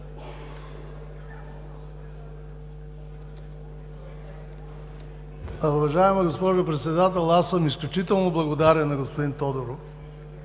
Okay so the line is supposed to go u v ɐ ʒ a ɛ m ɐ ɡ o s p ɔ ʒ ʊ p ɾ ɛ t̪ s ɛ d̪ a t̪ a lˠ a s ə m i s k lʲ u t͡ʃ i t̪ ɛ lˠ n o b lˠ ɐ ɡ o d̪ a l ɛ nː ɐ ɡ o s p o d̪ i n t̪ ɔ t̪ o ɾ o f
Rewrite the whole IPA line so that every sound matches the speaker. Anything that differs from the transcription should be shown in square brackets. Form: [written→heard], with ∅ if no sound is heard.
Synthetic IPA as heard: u v ɐ ʒ a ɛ m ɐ ɡ o s p ɔ ʒ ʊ p ɾ ɛ t̪ s ɛ d̪ a t̪ [a→ɛ] lˠ a s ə m i s k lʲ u t͡ʃ i t̪ ɛ lˠ n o b lˠ ɐ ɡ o d̪ a [l→ɾ] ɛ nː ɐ ɡ o s p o d̪ i n t̪ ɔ [t̪→d̪] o ɾ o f